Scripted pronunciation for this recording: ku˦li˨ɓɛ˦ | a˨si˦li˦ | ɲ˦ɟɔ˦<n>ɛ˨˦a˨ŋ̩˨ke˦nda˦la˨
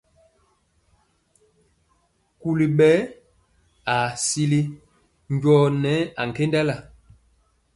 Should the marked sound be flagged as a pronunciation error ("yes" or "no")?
no